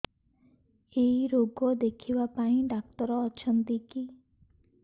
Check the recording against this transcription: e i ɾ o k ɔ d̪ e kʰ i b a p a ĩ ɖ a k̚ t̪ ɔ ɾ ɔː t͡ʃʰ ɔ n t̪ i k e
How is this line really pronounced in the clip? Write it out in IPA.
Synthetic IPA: e i ɾ o ɡ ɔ d̪ e kʰ i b a p a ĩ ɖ a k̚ t̪ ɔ ɾ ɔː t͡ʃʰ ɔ n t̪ i k i